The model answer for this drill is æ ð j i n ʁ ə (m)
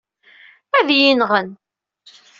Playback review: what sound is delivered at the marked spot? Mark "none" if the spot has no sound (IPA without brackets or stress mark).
n